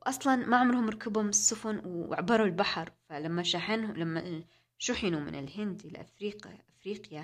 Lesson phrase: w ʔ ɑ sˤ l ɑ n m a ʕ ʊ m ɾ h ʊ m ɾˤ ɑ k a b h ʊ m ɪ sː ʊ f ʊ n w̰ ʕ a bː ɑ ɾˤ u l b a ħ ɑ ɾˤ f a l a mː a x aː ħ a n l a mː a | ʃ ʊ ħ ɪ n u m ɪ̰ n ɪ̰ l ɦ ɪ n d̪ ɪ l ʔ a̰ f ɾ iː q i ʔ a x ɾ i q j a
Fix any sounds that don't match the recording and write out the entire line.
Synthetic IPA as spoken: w ʔ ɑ sˤ l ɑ n m a ʕ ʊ m ɾ h ʊ m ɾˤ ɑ k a b h ʊ m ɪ sː ʊ f ʊ n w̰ ʕ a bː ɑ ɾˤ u l b a ħ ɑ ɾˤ f a l a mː a ʃ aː ħ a n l a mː a | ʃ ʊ ħ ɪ n u m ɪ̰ n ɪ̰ l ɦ ɪ n d̪ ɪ l ʔ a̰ f ɾ iː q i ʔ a f ɾ iː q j a